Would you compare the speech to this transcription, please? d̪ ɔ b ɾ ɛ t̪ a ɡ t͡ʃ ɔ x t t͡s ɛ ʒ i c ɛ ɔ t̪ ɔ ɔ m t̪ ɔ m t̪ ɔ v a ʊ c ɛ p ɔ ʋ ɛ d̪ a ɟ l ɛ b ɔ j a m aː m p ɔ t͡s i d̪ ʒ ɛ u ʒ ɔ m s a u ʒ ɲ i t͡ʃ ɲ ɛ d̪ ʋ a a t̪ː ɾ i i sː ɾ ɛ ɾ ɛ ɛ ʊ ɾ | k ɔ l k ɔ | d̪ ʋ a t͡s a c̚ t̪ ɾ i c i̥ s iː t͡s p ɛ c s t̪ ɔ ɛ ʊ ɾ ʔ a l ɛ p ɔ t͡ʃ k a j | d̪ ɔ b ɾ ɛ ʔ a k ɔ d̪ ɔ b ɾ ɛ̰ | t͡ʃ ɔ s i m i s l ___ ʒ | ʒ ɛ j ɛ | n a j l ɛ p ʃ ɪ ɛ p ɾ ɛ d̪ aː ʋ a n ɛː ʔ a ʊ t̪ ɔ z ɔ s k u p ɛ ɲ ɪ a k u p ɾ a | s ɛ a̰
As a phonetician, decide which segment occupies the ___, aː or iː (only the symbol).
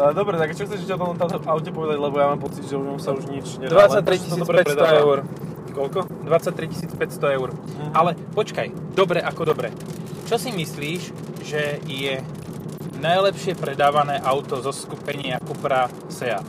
iː